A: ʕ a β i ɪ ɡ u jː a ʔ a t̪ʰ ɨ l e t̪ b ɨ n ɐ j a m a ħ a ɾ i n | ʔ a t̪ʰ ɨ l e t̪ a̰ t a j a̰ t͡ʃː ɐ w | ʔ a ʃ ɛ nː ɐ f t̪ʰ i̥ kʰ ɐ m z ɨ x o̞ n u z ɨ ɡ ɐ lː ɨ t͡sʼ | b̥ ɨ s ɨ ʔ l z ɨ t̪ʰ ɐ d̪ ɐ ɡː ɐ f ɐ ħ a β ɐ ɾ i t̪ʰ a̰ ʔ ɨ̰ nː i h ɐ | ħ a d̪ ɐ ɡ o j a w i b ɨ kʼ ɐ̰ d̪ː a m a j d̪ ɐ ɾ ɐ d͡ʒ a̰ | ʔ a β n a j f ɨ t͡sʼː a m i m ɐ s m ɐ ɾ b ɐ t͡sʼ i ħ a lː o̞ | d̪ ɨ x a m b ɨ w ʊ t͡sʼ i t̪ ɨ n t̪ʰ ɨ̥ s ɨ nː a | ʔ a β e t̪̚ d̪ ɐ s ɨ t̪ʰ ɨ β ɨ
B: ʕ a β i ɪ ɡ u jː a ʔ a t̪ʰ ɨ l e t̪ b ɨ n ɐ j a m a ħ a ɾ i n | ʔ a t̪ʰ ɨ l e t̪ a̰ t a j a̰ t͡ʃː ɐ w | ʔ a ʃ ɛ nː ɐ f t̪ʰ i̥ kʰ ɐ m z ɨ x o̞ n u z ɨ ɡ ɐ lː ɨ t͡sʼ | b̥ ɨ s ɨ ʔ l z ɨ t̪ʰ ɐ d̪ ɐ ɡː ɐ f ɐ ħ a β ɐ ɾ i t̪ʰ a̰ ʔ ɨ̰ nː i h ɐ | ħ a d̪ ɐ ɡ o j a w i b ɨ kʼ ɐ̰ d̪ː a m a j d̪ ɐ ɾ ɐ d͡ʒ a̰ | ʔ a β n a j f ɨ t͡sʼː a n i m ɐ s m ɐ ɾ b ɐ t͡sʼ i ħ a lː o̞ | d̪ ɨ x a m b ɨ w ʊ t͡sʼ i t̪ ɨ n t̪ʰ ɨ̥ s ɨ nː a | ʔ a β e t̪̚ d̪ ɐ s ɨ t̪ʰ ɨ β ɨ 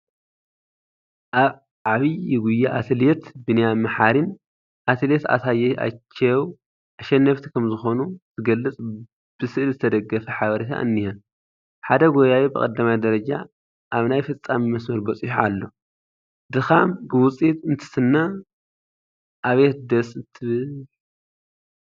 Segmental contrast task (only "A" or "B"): A